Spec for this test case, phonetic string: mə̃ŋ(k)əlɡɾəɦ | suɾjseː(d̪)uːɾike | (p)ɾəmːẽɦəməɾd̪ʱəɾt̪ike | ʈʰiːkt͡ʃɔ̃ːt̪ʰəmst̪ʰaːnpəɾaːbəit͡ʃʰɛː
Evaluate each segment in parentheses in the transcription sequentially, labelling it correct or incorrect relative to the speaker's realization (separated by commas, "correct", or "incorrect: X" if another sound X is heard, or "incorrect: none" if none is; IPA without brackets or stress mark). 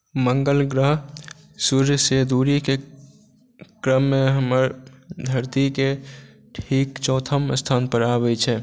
incorrect: ɡ, correct, incorrect: k